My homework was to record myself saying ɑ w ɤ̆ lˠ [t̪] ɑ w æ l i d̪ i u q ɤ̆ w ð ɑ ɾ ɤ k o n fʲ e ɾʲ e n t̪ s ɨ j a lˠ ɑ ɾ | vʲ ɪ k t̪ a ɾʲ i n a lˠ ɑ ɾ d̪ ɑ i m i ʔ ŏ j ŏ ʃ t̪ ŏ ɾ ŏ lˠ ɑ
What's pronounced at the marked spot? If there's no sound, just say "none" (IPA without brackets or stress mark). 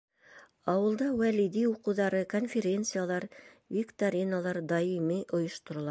d̪